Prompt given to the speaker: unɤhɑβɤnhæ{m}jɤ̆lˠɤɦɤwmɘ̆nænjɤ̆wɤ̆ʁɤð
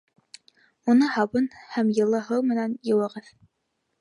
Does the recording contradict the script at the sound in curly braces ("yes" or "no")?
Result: no